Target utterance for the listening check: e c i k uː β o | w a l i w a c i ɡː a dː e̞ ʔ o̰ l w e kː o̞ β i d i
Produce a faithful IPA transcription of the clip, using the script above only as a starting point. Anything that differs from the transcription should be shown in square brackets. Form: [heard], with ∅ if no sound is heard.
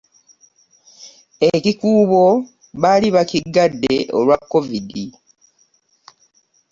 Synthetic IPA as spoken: e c i k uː β o | [β] a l i [β] a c i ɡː a dː e̞ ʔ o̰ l w [a] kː o̞ [v] i d i